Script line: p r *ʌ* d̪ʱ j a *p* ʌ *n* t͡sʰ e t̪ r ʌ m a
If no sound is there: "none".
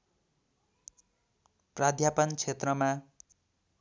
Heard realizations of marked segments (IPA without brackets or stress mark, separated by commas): a, p, n